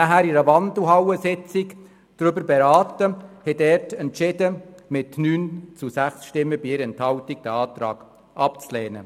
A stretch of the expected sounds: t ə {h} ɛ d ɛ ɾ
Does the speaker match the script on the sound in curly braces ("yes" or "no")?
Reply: yes